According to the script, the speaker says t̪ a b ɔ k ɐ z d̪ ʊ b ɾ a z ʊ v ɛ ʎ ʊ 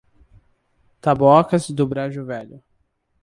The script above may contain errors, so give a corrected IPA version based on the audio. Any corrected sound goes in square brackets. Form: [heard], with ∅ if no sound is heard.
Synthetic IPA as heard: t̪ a b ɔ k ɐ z d̪ ʊ b ɾ a [ʒ] ʊ v ɛ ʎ ʊ